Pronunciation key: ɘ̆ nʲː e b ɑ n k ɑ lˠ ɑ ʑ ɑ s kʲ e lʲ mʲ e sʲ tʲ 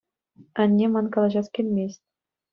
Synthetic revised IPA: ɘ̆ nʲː e m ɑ n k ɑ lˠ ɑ ʑ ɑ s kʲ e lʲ mʲ e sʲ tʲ